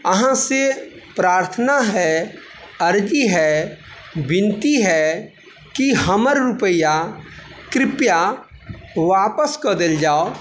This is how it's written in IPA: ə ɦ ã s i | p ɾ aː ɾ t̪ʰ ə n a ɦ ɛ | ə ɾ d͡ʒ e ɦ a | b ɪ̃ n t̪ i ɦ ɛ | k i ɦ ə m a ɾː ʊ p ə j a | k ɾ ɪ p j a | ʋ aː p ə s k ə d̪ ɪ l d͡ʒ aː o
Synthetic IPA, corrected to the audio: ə ɦ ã s e | p ɾ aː ɾ t̪ʰ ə n a ɦ ɛ | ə ɾ d͡ʒ i ɦ ɛ | b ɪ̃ n t̪ i ɦ ɛ | k i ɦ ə m ə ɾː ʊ p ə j a | k ɾ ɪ p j a | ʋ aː p ə s k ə d̪ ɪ l d͡ʒ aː o